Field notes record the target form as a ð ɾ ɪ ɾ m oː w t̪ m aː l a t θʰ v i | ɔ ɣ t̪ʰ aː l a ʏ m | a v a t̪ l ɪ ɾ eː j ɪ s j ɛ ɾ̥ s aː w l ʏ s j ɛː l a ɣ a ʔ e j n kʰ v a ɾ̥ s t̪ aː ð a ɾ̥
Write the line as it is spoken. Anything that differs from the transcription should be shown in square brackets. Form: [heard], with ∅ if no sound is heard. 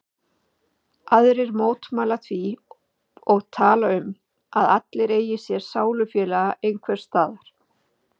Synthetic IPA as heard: a ð ɾ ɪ ɾ m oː w t̪ m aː l a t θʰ v i | ɔ ɣ t̪ʰ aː l a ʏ m | a [ð] a t̪ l ɪ ɾ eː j ɪ s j ɛ ɾ̥ s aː w l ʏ [f] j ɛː l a ɣ a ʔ e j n kʰ v [ɛ] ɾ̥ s t̪ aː ð a ɾ̥